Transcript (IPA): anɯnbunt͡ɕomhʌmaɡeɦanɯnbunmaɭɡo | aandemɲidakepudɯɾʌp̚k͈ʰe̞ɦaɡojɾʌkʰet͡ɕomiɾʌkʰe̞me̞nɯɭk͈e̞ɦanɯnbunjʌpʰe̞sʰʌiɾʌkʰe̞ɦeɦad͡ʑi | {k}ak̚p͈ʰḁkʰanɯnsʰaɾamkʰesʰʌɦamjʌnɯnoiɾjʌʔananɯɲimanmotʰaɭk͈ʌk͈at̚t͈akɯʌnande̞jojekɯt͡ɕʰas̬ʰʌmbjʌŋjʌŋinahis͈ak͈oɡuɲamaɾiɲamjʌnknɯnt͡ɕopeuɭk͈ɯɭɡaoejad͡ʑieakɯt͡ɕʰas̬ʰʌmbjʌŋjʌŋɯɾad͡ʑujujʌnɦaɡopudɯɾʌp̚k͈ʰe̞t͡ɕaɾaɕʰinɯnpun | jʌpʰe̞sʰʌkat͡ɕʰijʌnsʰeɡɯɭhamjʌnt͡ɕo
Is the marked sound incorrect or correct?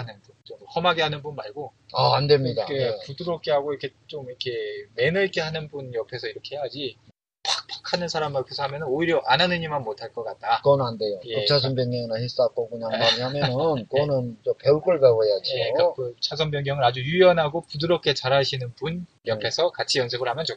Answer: incorrect